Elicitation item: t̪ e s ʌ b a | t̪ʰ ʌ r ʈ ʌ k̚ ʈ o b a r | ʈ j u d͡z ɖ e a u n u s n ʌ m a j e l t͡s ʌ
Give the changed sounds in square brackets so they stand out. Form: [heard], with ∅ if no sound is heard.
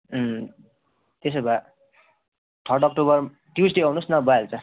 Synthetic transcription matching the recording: t̪ e s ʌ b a | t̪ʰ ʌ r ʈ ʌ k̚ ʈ o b [ʌ] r | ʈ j u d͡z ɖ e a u n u s n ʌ [b] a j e l t͡s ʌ